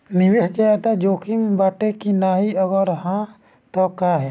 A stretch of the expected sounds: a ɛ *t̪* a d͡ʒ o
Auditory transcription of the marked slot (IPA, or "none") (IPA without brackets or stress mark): t̪